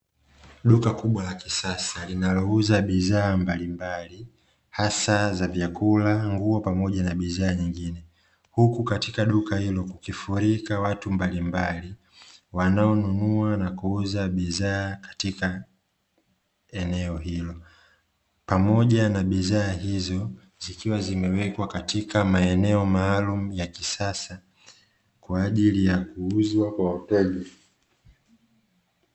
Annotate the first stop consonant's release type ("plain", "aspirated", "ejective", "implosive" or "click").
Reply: implosive